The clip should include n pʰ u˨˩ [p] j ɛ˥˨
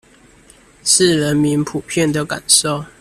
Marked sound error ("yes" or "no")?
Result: yes